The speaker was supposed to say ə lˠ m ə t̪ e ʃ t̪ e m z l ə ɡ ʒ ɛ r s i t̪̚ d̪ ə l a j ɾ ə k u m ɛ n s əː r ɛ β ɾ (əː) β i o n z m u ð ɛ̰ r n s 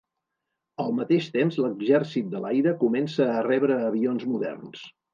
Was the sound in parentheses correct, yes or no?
yes